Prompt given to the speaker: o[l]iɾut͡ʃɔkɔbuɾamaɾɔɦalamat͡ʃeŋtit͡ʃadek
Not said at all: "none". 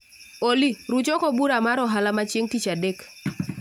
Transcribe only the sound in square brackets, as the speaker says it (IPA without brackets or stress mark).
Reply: l